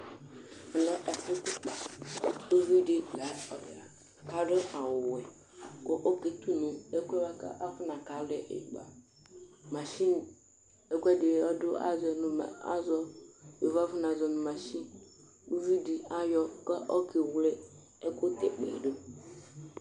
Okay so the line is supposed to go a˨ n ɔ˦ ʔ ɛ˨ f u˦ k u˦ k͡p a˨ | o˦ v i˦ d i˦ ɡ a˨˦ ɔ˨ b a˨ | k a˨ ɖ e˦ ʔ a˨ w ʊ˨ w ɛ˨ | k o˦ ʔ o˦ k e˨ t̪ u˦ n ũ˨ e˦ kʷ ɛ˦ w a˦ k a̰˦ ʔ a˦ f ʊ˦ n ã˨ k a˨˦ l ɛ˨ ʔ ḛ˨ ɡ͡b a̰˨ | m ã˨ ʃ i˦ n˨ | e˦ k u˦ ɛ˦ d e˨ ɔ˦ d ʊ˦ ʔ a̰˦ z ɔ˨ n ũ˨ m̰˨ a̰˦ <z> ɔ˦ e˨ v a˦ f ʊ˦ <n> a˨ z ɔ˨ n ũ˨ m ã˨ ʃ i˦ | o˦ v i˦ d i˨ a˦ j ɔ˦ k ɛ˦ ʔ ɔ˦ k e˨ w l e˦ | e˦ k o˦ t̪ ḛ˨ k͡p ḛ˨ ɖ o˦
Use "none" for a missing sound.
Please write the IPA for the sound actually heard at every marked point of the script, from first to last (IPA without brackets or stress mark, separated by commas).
z, n